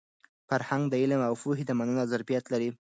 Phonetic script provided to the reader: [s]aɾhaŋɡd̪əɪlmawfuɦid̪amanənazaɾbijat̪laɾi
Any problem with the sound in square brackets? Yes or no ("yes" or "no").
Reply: yes